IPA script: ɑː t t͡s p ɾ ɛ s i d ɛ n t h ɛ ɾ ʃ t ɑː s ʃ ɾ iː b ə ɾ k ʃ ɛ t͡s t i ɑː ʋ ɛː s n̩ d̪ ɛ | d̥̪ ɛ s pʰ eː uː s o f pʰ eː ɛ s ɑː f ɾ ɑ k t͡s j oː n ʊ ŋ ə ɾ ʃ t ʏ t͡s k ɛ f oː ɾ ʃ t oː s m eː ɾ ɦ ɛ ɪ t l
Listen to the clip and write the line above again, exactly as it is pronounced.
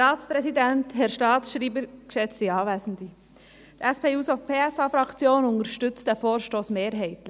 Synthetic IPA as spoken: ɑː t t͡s p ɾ ɛ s i d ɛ n t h ɛ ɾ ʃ t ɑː s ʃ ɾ iː b ə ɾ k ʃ ɛ t͡s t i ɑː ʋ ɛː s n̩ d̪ i | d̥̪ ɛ s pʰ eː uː s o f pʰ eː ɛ s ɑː f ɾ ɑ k t͡s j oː n ʊ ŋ ə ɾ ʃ t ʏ t͡s t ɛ f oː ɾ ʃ t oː s m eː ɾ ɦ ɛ ɪ t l